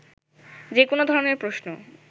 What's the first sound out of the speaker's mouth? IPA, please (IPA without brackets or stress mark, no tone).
d͡ʑ